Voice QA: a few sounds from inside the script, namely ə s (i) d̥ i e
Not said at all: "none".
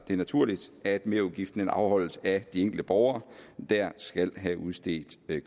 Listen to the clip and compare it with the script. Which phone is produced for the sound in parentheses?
æ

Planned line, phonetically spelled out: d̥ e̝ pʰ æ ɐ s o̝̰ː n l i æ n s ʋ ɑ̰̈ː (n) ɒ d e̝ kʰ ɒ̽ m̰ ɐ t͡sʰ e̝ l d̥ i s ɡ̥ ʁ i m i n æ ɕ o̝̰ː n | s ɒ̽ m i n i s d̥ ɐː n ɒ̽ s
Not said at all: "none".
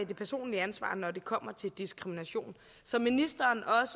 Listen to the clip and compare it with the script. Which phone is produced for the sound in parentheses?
n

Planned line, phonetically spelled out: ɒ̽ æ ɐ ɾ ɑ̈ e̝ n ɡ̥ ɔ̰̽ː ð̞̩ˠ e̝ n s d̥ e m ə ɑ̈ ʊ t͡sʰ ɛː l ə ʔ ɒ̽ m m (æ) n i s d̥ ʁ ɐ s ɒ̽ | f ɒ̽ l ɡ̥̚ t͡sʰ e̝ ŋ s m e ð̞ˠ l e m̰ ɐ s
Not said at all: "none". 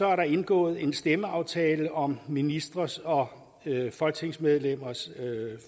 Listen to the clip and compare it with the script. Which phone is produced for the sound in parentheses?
i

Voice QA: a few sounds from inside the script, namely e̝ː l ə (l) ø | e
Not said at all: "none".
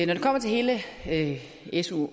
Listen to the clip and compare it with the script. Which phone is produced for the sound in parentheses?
none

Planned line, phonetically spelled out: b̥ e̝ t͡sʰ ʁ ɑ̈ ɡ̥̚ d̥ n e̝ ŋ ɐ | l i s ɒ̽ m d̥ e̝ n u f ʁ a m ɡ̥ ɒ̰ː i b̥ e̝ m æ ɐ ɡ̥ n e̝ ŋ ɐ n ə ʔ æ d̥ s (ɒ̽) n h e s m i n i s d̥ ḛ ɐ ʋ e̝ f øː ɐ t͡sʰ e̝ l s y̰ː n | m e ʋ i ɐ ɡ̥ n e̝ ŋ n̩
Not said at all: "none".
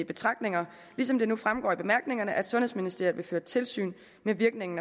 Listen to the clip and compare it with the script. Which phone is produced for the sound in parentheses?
ɔ̽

